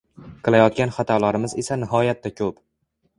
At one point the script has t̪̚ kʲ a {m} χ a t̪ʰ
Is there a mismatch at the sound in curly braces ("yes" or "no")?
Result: yes